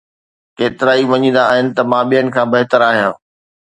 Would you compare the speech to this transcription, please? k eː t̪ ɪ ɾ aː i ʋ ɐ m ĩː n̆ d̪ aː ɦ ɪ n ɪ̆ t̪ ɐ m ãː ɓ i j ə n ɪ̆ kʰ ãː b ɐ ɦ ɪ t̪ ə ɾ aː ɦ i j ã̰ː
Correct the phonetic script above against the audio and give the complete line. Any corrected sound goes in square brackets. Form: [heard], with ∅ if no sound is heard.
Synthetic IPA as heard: k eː t̪ ɪ ɾ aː i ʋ ɐ [ɲ] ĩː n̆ d̪ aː ɦ ɪ n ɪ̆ t̪ ɐ m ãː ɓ i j ə n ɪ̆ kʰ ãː b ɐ ɦ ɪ t̪ ə ɾ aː ɦ i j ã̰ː